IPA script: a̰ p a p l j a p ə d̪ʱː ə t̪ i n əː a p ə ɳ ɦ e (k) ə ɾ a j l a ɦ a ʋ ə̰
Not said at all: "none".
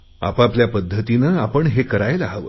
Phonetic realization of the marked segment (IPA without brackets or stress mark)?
k